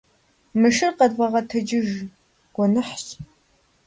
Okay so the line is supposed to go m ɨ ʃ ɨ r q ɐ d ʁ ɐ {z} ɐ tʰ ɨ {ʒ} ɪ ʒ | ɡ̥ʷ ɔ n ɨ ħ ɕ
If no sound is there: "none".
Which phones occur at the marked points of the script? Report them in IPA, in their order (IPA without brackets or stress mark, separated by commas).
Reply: ʁ, d͡ʒ